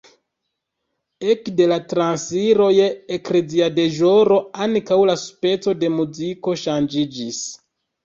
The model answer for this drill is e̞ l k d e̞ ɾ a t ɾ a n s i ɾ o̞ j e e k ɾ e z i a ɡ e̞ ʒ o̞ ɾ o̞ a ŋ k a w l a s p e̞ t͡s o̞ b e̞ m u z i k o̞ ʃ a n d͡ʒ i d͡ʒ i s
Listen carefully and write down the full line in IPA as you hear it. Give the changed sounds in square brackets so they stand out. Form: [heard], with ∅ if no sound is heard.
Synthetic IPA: e̞ [∅] k d e̞ [l] a t ɾ a n s i ɾ o̞ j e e k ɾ e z i a [d] e̞ ʒ o̞ ɾ o̞ a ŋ k a w l a s p e̞ t͡s o̞ [d] e̞ m u z i k o̞ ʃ a n d͡ʒ i d͡ʒ i s